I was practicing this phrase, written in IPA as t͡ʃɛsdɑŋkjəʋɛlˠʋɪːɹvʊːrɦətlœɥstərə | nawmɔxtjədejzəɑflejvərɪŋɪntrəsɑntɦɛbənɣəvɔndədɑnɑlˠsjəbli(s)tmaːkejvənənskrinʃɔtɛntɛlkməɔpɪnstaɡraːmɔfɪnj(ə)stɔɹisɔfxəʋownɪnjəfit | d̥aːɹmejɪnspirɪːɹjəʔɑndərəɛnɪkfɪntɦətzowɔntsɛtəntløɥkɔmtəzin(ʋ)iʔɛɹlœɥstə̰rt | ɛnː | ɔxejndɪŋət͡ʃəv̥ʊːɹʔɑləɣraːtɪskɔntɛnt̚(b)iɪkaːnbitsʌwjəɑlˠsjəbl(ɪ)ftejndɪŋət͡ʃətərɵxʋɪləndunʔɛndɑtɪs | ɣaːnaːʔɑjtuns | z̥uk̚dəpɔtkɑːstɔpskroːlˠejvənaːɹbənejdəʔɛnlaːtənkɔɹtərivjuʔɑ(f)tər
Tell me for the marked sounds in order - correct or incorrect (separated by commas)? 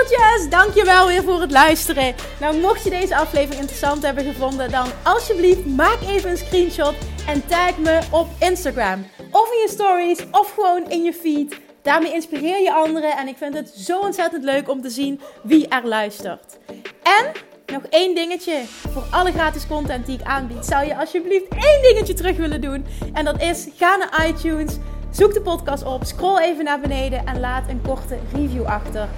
incorrect, correct, correct, incorrect, incorrect, incorrect